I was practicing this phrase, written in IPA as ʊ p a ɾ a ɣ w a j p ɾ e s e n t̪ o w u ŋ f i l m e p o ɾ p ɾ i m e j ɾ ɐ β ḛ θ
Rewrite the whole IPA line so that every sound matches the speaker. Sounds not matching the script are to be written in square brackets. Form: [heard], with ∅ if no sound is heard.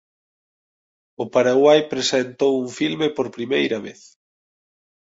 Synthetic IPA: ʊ p a ɾ a ɣ w a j p ɾ e s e n t̪ o w u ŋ f i l m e p o ɾ p ɾ i m e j ɾ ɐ β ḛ θ